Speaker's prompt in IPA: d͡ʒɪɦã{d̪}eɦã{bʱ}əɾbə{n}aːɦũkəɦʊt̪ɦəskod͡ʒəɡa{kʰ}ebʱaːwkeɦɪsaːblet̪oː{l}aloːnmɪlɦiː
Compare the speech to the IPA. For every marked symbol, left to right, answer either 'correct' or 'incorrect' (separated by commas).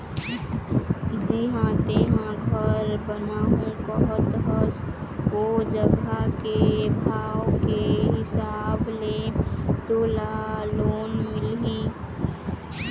incorrect, incorrect, correct, incorrect, correct